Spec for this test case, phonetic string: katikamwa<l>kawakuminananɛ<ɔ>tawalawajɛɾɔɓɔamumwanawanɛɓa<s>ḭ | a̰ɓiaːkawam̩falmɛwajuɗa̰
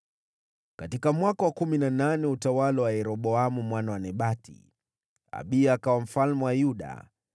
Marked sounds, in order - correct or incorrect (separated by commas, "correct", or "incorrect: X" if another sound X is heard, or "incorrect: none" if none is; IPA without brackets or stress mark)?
incorrect: none, incorrect: u, incorrect: t